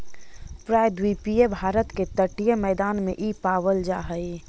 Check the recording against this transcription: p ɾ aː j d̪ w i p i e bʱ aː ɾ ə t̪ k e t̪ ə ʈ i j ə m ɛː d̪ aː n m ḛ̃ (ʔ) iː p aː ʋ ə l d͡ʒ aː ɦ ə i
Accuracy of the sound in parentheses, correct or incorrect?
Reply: correct